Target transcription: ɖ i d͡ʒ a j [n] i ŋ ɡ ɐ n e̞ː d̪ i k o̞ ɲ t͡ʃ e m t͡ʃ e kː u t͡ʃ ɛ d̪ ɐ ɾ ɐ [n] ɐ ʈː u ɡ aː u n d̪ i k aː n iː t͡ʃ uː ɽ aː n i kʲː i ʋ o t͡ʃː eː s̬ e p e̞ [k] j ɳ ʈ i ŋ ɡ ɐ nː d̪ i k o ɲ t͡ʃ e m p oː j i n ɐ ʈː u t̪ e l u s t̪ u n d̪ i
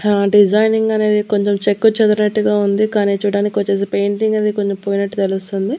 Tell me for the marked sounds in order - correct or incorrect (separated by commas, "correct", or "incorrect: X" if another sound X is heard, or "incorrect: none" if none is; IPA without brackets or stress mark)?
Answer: correct, correct, incorrect: none